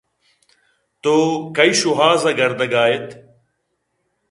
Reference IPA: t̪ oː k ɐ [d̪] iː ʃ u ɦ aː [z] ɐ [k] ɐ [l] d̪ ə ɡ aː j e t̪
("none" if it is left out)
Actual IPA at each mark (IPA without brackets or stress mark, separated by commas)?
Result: none, z, ɡ, ɾ